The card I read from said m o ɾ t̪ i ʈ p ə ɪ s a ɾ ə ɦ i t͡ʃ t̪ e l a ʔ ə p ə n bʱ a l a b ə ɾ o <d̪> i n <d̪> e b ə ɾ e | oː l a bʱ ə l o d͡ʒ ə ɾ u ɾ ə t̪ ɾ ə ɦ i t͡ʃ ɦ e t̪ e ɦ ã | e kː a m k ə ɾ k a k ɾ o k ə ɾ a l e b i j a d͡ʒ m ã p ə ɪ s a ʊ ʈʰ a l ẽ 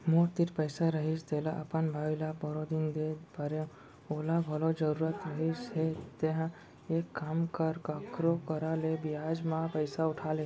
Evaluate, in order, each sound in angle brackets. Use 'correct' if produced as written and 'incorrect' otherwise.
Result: correct, correct

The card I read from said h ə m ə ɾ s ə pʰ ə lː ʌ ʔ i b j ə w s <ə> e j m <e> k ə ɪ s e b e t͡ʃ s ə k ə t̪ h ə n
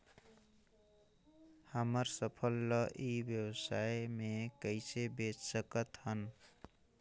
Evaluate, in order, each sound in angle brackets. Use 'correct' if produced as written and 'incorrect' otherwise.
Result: incorrect: a, correct

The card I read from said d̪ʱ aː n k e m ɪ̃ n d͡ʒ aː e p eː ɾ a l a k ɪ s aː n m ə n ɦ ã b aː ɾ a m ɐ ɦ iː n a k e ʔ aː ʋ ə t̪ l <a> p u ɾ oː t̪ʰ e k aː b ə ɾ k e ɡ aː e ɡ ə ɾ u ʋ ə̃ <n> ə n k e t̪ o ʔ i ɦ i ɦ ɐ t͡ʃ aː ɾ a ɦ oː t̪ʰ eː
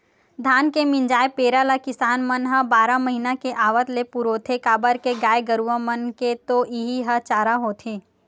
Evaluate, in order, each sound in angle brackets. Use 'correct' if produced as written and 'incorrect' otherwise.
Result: incorrect: e, incorrect: m

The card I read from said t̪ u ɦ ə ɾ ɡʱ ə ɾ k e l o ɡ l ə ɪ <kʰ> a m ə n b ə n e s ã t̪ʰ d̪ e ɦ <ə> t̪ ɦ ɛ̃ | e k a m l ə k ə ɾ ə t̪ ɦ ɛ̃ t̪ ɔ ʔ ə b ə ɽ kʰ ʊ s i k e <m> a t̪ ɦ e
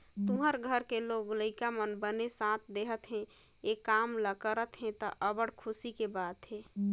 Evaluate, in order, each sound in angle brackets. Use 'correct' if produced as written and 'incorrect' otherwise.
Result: incorrect: k, correct, incorrect: b

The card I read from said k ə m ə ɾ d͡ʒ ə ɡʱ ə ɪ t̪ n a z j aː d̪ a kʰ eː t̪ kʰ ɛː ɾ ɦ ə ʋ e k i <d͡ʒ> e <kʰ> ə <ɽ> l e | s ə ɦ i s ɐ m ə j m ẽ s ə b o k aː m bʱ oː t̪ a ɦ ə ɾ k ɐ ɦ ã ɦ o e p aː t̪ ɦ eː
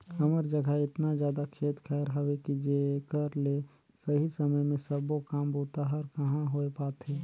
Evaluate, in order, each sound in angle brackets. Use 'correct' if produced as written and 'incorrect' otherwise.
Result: correct, incorrect: k, incorrect: ɾ

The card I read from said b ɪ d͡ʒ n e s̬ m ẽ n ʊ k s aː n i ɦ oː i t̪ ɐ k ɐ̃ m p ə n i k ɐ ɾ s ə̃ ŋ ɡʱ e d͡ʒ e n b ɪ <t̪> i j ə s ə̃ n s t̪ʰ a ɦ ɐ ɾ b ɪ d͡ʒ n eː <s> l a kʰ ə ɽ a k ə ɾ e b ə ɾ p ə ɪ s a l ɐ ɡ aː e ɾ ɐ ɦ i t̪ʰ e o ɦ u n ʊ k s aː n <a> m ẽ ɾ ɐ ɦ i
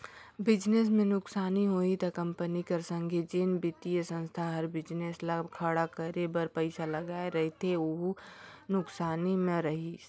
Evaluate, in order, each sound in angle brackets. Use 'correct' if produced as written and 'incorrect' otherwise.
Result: correct, correct, incorrect: i

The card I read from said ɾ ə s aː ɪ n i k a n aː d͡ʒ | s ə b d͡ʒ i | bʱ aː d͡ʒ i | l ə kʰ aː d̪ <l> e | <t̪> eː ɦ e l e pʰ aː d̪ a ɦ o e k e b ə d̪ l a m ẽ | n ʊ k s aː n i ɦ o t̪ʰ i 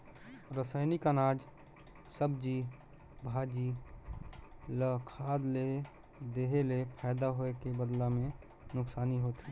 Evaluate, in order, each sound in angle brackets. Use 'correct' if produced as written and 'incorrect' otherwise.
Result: correct, incorrect: d̪

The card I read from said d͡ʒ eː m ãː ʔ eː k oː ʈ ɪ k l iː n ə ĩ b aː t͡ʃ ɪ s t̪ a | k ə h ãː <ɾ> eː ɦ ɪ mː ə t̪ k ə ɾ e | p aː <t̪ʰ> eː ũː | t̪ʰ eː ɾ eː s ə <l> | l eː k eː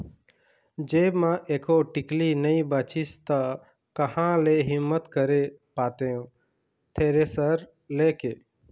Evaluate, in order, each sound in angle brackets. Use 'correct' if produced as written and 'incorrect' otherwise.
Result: incorrect: l, incorrect: t̪, incorrect: ɾ

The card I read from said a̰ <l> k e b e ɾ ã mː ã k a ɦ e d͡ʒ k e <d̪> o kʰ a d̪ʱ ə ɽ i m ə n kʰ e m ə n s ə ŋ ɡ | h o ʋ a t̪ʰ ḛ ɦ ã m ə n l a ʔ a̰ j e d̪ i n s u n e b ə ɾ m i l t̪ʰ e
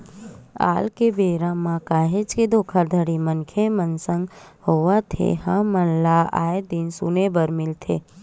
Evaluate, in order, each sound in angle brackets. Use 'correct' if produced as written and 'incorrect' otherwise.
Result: correct, correct

